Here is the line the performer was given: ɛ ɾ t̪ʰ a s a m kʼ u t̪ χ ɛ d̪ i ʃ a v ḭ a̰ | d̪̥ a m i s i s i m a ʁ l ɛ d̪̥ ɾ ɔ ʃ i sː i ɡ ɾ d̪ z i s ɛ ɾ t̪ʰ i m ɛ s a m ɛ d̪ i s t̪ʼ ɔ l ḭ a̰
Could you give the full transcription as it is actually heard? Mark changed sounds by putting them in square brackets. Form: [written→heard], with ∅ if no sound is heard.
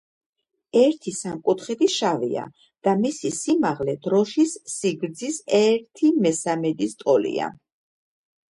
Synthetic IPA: ɛ ɾ t̪ʰ [a→i] s a m kʼ u t̪ χ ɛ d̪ i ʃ a v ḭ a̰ | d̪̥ a m i s i s i m a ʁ l ɛ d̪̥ ɾ ɔ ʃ i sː i ɡ ɾ d̪ z i s ɛ ɾ t̪ʰ i m ɛ s a m ɛ d̪ i s t̪ʼ ɔ l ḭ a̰